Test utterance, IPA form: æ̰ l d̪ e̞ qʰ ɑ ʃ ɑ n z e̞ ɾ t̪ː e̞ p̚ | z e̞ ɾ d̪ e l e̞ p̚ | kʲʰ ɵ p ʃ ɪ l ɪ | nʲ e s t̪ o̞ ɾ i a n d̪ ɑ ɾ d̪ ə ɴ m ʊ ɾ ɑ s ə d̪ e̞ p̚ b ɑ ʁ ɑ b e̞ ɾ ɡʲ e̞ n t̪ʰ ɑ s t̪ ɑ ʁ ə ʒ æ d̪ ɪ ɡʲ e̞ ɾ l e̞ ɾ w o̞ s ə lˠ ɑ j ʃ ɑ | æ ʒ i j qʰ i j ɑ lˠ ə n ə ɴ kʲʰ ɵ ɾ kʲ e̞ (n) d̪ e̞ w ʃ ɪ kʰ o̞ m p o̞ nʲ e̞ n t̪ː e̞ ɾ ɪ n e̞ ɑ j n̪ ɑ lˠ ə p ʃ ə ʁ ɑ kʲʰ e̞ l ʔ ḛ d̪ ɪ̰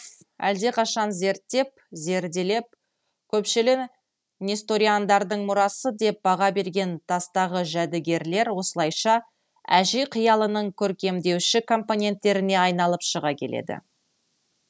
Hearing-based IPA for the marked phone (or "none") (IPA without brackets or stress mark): m